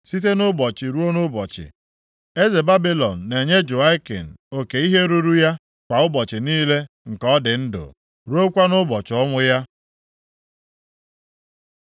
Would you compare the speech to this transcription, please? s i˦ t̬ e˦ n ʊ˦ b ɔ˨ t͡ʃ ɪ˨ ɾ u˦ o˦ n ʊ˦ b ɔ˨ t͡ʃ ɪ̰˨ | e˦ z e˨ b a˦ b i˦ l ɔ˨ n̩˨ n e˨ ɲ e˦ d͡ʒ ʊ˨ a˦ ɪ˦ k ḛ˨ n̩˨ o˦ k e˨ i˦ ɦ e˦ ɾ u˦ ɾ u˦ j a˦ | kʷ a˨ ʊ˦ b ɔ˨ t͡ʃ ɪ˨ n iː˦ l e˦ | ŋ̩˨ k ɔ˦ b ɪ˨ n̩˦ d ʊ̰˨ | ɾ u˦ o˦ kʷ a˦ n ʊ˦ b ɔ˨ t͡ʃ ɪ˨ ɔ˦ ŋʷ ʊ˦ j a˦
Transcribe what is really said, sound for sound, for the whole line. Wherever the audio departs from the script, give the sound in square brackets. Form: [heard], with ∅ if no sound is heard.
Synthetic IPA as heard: s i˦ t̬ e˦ n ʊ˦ b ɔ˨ t͡ʃ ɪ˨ ɾ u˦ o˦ n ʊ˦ b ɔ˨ t͡ʃ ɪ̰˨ | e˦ z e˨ b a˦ b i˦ l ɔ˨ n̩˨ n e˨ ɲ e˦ d͡ʒ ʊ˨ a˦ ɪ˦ k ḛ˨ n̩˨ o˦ k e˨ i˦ ɦ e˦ ɾ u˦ ɾ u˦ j a˦ | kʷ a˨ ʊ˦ b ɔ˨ t͡ʃ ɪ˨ n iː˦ l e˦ | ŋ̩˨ k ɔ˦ [d] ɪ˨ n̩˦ d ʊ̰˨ | ɾ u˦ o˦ kʷ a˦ n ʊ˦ b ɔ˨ t͡ʃ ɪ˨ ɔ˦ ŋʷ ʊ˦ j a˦

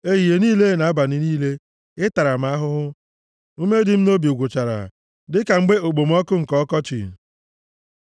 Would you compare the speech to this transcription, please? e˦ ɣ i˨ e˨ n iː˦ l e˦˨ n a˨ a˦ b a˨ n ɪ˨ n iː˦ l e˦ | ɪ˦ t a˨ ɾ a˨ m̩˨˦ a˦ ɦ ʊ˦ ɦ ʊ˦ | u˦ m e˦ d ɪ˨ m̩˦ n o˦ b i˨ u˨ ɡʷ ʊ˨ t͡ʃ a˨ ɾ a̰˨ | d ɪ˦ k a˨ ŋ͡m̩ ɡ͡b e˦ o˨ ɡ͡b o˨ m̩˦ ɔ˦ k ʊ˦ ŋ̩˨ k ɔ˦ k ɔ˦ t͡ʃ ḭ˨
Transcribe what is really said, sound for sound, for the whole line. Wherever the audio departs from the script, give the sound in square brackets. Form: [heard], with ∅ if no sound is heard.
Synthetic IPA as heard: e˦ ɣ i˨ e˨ n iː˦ l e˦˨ n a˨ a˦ b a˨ n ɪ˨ n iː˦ l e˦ | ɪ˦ t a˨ ɾ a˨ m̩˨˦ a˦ ɦ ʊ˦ ɦ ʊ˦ | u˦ m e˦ d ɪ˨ m̩˦ n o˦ b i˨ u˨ ɡʷ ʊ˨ t͡ʃ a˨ ɾ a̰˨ | d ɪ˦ k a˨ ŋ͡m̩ ɡ͡b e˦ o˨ ɡ͡b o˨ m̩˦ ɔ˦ k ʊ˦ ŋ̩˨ k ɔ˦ k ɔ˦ t͡ʃ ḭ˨

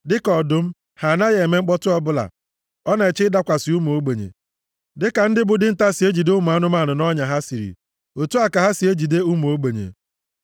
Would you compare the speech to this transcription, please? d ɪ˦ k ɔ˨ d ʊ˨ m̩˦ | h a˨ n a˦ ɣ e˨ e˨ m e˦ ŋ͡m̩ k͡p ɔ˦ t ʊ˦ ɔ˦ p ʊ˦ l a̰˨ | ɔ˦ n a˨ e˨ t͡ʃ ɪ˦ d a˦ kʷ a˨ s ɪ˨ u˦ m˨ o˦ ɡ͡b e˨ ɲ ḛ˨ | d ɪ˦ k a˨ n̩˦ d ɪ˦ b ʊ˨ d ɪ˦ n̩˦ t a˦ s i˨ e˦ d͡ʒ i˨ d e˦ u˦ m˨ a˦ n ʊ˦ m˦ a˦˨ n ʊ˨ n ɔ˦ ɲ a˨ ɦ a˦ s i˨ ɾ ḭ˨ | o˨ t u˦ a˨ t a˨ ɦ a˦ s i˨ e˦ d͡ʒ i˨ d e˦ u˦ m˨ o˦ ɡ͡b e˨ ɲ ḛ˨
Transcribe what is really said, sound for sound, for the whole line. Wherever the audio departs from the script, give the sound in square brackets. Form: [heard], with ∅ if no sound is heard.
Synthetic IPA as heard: d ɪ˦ k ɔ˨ d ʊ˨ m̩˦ | h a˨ n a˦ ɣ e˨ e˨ m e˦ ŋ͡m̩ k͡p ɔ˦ t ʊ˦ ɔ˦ [b] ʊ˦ l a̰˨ | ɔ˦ n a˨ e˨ t͡ʃ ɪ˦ d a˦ kʷ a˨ s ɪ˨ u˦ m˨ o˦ ɡ͡b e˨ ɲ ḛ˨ | d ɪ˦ k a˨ n̩˦ d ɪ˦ b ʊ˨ d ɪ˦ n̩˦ t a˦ s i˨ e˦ d͡ʒ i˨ d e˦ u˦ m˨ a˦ n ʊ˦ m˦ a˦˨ n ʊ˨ n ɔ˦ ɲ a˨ ɦ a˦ s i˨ ɾ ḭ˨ | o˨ t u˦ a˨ [k] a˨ ɦ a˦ s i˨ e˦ d͡ʒ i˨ d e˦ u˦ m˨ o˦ ɡ͡b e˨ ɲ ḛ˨

